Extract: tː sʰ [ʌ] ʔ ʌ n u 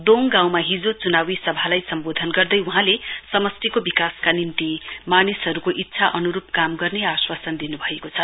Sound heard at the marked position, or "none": a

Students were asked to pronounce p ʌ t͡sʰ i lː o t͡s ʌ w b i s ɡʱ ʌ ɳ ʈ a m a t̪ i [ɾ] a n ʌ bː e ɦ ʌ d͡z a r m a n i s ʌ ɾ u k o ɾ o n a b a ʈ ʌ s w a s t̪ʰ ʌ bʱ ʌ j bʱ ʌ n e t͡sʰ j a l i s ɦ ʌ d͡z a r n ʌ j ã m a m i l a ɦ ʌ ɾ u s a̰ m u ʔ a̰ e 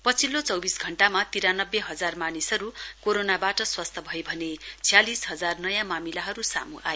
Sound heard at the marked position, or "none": ɾ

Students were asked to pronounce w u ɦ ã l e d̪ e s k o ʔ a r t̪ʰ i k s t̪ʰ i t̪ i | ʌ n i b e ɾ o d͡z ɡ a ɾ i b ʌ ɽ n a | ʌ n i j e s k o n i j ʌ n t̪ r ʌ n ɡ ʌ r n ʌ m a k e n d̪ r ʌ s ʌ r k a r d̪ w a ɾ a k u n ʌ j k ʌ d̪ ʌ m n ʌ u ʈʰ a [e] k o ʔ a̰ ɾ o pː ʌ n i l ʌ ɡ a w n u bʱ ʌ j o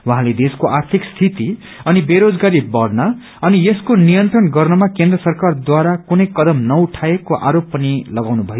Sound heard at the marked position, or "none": e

